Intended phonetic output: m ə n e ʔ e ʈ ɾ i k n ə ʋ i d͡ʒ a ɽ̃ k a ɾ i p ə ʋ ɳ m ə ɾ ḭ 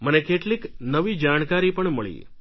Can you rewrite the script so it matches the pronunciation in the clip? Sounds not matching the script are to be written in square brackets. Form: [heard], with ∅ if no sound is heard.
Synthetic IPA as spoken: m ə n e [k] e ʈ [l] i k n ə ʋ i d͡ʒ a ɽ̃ k a ɾ i p ə [∅] ɳ m ə [ɭ] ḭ